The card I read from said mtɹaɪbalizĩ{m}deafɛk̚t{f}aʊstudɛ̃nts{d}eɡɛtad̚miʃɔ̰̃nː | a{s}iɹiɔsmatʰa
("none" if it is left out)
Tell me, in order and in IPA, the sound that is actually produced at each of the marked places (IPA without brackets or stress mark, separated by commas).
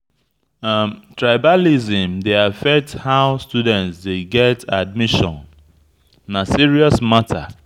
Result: m, h, d, s